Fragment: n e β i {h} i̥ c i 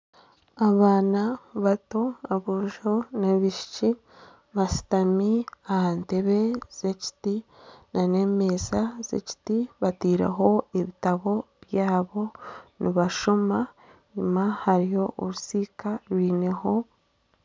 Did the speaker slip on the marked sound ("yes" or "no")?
yes